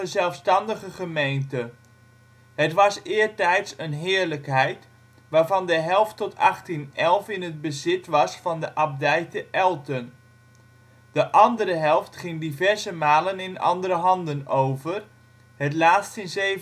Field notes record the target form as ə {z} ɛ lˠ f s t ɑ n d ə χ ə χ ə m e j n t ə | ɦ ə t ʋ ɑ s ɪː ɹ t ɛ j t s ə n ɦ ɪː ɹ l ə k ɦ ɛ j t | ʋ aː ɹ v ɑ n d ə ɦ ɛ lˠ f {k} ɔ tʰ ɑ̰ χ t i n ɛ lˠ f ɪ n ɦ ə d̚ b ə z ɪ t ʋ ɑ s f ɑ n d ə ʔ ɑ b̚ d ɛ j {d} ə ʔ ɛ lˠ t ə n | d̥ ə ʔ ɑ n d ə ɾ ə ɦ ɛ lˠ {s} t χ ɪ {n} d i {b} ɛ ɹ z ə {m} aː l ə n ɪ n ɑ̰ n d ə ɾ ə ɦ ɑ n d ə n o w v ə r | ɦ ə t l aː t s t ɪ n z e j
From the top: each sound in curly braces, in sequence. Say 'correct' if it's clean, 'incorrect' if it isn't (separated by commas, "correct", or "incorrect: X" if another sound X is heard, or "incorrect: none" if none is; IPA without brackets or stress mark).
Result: correct, incorrect: t, incorrect: t, incorrect: f, incorrect: ŋ, incorrect: v, correct